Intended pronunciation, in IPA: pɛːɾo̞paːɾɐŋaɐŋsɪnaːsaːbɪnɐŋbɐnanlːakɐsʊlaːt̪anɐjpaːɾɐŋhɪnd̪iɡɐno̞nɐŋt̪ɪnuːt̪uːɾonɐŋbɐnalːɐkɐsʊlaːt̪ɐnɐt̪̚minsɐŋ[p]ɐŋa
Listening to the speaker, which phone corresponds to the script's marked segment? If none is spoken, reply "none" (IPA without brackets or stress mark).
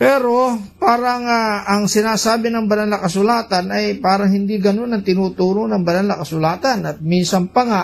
p